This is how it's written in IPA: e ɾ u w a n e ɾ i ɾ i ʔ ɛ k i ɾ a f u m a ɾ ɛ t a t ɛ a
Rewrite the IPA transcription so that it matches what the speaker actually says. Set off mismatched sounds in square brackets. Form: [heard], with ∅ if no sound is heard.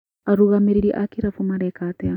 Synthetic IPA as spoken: [a] ɾ u [ɣ] a [m] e ɾ i ɾ i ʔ [a] k i ɾ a f u m a ɾ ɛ [k] a t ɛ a